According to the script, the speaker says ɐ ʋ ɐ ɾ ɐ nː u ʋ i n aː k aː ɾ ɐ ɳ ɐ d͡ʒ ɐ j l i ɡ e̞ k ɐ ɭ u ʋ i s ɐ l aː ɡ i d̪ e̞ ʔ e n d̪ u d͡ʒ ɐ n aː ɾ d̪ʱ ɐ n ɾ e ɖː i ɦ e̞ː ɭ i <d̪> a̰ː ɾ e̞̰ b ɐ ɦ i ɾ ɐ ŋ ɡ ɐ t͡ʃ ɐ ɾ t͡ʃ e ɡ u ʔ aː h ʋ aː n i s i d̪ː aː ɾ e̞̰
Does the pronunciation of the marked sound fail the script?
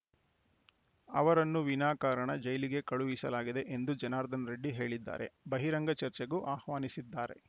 yes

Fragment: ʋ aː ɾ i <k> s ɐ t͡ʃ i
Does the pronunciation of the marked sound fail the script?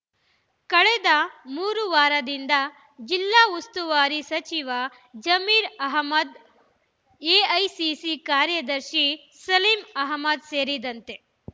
yes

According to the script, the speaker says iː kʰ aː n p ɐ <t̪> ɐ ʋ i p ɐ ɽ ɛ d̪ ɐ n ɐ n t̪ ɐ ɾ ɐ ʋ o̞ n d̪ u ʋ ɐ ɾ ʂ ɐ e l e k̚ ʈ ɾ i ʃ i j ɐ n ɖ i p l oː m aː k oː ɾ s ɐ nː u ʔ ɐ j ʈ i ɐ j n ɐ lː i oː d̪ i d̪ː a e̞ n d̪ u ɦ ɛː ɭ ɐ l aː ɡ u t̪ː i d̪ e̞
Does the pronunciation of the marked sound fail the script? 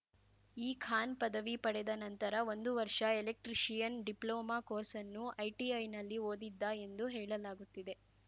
yes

